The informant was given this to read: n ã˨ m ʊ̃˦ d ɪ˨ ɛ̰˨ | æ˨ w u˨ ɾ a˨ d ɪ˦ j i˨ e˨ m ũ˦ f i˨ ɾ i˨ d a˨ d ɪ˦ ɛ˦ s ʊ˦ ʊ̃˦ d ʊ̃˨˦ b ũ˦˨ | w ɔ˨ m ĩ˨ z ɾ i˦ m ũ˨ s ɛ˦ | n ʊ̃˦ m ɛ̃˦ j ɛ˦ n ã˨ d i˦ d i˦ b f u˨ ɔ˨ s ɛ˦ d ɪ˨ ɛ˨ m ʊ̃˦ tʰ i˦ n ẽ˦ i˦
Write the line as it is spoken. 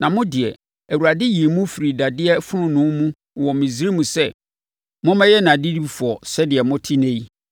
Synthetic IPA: n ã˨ m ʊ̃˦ d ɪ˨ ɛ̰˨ | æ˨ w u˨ ɾ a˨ d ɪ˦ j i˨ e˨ m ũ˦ f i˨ ɾ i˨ d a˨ d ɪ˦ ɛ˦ f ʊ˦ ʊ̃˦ n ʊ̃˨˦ m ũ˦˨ | w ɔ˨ m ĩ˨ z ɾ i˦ m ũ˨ s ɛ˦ | m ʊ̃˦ m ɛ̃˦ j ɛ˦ n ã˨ d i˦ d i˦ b f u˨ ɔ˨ s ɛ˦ d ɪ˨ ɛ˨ m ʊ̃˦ tʰ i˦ n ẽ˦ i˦